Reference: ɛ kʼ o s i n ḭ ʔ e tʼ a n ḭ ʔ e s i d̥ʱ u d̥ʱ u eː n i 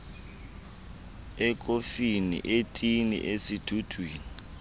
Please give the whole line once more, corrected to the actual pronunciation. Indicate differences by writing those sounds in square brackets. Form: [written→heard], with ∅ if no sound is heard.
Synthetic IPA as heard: ɛ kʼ o [s→f] i n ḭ ʔ e tʼ [a→i] n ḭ ʔ e s i d̥ʱ u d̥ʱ [u→w] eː n i